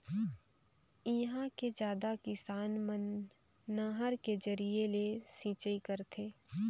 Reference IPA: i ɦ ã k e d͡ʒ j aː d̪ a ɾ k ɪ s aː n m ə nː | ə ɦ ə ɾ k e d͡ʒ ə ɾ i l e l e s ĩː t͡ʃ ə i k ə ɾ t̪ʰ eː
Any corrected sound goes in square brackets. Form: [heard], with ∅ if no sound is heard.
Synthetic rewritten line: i ɦ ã k e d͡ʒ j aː d̪ a [∅] k ɪ s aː n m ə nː | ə ɦ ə ɾ k e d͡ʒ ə ɾ i [∅] e l e s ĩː t͡ʃ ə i k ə ɾ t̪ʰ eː

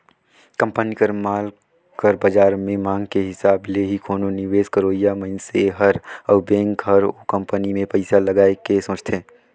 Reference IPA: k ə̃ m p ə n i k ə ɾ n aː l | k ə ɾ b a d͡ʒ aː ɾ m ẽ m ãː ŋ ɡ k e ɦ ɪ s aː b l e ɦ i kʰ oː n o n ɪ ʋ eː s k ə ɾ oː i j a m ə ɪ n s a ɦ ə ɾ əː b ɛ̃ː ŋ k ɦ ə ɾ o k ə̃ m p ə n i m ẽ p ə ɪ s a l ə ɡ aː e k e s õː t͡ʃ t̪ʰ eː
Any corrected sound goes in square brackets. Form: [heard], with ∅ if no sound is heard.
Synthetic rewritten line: k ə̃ m p ə n i k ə ɾ [m] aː l | k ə ɾ b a d͡ʒ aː ɾ m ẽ m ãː ŋ ɡ k e ɦ ɪ s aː b l e ɦ i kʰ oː n o n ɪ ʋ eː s k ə ɾ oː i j a m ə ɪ n s [e] ɦ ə ɾ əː b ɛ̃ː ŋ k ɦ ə ɾ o k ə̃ m p ə n i m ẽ p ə ɪ s a l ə ɡ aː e k e s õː t͡ʃ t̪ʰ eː

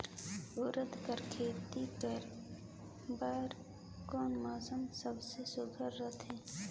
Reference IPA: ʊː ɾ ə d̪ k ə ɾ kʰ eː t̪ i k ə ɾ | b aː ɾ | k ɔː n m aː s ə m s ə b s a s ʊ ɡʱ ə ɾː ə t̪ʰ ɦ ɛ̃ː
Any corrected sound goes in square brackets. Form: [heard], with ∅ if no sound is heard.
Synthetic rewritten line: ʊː ɾ ə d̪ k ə ɾ kʰ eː t̪ i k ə ɾ | b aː ɾ | k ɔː n m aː s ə m s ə b s [e] s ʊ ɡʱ ə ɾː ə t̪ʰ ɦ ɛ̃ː

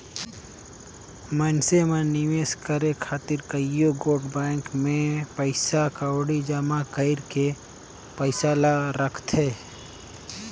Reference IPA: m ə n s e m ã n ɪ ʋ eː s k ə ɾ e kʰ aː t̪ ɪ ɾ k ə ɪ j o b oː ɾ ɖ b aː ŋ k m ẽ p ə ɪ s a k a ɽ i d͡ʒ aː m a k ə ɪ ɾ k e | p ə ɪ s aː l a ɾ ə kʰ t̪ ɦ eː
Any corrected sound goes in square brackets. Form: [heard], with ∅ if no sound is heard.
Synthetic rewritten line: m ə n s e m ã n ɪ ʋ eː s k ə ɾ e kʰ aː t̪ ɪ ɾ k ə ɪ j o [ɡ] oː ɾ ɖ b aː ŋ k m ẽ p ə ɪ s a k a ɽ i d͡ʒ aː m a k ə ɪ ɾ k e | p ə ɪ s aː l a ɾ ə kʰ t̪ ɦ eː

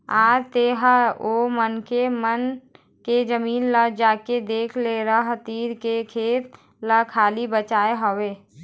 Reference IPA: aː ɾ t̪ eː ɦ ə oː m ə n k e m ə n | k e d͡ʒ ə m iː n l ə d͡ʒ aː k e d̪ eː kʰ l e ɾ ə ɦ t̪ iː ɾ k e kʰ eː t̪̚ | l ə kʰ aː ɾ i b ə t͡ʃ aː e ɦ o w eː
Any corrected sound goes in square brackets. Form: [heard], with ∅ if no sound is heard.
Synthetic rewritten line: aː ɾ t̪ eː ɦ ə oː m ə n k e m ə n | k e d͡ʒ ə m iː n l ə d͡ʒ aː k e d̪ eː kʰ l e ɾ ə ɦ t̪ iː ɾ k e kʰ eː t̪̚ | l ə kʰ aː [l] i b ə t͡ʃ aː e ɦ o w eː

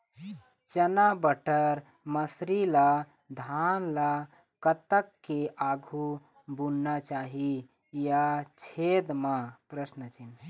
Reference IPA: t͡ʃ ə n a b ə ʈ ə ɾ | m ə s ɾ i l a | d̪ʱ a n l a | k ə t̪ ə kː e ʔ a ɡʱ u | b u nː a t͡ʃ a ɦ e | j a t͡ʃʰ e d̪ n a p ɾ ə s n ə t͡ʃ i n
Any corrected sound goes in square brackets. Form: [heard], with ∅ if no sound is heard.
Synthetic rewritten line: t͡ʃ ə n a b ə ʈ ə ɾ | m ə s ɾ i l a | d̪ʱ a n l a | k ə t̪ ə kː e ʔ a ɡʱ u | b u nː a t͡ʃ a ɦ [i] | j a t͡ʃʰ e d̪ [m] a p ɾ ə s n ə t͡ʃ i n

